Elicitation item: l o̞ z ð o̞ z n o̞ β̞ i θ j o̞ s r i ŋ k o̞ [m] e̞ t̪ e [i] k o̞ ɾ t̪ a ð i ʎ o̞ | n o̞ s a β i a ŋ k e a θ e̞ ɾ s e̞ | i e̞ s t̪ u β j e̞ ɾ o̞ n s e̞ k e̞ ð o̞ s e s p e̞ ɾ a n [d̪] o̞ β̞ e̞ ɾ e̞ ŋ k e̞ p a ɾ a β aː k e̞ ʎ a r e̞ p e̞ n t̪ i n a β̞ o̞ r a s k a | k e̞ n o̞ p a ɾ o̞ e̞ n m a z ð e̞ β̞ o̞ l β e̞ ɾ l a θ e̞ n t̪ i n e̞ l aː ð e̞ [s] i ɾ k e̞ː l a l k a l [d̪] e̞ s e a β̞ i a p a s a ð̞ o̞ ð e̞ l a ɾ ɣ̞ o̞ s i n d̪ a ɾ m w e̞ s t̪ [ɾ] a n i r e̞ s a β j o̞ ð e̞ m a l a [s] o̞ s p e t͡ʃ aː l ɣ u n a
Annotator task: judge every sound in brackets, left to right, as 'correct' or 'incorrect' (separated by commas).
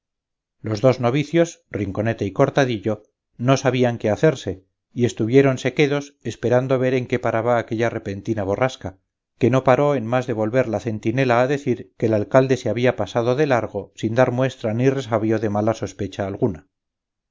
incorrect, correct, correct, incorrect, correct, correct, correct